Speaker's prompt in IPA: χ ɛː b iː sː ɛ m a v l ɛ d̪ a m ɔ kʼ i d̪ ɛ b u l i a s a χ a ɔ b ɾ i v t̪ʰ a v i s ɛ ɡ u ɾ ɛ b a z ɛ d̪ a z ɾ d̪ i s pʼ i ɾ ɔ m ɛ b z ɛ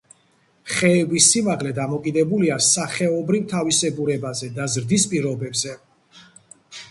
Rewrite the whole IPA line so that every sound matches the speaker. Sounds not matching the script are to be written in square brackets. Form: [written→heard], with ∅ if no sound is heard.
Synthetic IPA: χ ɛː b [iː→i] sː [ɛ→i] m a [v→ʁ] l ɛ d̪ a m ɔ kʼ i d̪ ɛ b u l i a s a χ [a→ɛ] ɔ b ɾ i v t̪ʰ a v i s ɛ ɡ u ɾ ɛ b a z ɛ d̪ a z ɾ d̪ i s pʼ i ɾ ɔ [m→b] ɛ b z ɛ